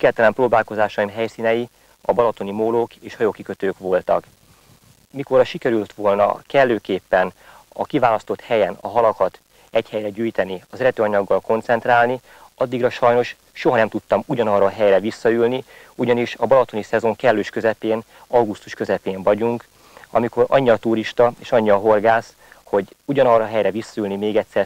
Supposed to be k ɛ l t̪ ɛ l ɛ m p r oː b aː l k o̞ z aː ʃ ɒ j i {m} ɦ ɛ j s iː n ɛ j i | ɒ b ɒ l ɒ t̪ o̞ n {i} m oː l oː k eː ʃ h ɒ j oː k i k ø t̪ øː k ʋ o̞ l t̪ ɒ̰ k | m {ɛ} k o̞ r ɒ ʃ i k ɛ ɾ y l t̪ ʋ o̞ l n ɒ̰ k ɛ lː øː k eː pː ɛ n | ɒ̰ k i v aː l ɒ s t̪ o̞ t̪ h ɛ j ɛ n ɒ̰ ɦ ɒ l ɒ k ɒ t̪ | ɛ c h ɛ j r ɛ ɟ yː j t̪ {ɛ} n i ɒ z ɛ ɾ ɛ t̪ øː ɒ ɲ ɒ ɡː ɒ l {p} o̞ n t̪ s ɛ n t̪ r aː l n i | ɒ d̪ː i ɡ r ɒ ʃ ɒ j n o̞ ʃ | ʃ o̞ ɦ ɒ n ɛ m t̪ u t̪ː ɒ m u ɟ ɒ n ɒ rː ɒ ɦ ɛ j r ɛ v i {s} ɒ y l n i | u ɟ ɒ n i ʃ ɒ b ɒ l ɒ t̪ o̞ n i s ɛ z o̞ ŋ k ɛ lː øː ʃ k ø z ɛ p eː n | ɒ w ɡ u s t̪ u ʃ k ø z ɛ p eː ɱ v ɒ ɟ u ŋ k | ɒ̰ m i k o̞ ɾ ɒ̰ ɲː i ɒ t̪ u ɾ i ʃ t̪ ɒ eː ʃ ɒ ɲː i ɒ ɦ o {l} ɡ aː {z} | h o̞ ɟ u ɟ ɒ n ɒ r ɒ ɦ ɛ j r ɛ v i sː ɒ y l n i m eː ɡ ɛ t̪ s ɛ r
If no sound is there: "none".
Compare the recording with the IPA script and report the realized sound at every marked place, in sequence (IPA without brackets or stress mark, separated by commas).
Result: m, i, i, ɛ, k, sː, r, s